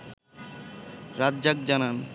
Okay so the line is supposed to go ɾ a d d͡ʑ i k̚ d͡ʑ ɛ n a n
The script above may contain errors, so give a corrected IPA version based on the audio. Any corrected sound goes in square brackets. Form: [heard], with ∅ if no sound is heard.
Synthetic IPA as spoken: ɾ a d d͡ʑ [a] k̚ d͡ʑ [a] n a n